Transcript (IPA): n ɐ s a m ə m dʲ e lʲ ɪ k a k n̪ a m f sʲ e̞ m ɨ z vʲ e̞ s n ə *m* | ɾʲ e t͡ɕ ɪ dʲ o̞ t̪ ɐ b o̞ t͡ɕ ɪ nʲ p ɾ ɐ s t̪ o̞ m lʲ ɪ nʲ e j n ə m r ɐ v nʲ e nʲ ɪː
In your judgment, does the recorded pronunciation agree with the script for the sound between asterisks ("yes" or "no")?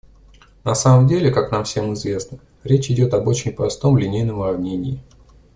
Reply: no